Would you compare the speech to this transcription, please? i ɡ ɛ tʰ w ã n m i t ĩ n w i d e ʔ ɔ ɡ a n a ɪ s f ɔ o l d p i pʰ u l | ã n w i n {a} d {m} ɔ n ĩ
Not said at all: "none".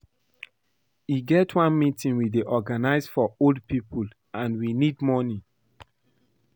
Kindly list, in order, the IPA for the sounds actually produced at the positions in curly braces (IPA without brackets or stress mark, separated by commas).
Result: i, m